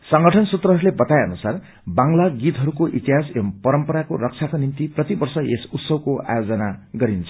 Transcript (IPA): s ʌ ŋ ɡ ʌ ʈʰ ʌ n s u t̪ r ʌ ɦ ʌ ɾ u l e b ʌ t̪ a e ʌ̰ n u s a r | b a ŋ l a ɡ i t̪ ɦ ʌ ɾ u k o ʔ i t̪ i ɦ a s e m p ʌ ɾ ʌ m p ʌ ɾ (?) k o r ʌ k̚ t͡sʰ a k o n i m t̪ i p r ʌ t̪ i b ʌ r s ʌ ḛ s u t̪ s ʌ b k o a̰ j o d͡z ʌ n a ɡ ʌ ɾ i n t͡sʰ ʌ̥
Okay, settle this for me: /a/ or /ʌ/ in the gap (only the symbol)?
a